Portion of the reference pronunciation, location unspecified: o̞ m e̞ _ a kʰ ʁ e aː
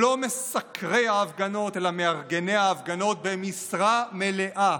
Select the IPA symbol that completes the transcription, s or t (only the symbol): s